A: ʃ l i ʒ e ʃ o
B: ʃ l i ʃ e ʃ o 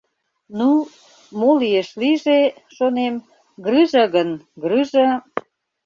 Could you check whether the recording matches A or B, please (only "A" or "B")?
A